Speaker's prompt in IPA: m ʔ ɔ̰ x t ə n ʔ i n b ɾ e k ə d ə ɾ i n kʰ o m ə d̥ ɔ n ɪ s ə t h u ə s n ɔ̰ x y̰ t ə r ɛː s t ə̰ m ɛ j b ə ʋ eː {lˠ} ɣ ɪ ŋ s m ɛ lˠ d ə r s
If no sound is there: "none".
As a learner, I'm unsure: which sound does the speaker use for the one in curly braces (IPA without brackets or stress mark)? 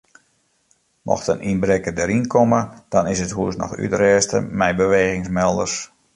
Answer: none